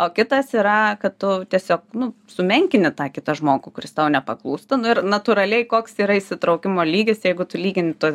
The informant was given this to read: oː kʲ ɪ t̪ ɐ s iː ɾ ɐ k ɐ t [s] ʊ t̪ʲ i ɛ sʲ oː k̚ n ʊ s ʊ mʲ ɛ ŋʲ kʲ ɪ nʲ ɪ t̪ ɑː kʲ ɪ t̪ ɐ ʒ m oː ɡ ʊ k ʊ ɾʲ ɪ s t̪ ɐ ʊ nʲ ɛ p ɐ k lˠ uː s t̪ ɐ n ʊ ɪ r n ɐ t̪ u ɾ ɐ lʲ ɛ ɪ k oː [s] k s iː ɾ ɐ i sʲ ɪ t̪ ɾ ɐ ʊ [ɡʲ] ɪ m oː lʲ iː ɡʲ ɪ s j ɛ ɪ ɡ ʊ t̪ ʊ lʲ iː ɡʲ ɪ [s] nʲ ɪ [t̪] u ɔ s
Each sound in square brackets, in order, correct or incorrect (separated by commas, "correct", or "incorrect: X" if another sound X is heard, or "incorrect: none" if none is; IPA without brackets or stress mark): incorrect: t, incorrect: none, incorrect: kʲ, incorrect: none, correct